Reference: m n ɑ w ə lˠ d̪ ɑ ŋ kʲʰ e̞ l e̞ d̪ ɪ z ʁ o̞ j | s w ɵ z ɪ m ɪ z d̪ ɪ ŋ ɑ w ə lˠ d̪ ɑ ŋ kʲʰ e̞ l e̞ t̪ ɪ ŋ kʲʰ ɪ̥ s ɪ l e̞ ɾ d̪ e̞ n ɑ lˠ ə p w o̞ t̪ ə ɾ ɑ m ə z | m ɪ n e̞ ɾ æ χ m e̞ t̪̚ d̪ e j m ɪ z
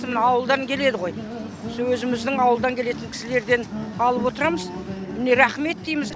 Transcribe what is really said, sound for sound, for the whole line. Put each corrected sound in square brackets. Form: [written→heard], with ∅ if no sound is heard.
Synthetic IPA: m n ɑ w ə lˠ d̪ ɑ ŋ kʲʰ e̞ l e̞ d̪ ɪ [z→∅] ʁ o̞ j | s w ɵ z ɪ m ɪ z d̪ ɪ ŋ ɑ w ə lˠ d̪ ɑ ŋ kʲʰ e̞ l e̞ t̪ ɪ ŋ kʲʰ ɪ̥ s ɪ l e̞ ɾ d̪ e̞ n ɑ lˠ ə p w o̞ t̪ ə ɾ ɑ m ə z | m ɪ n e̞ ɾ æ χ m e̞ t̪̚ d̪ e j m ɪ z